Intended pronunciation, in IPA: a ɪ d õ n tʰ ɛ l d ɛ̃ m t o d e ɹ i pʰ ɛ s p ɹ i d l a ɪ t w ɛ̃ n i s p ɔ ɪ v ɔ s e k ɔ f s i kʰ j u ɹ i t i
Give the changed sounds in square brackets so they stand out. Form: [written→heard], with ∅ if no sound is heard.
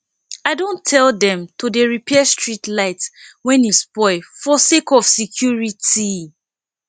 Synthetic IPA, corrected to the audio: a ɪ d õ n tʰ ɛ l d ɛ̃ m t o d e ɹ i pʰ ɛ s [p→t] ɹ i [d→t] l a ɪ t w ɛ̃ n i s p ɔ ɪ [v→f] ɔ s e k ɔ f s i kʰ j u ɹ i t i